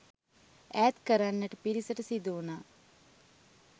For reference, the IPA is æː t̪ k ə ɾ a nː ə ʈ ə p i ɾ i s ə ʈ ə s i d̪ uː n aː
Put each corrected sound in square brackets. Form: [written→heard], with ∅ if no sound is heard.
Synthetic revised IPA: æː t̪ k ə ɾ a nː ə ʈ ə p i ɾ i s ə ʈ ə s i d̪ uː n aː